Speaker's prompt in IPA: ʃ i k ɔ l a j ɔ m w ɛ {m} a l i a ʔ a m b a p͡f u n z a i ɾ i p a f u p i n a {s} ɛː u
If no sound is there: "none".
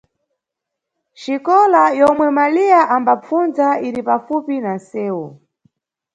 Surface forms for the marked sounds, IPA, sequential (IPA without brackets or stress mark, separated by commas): m, s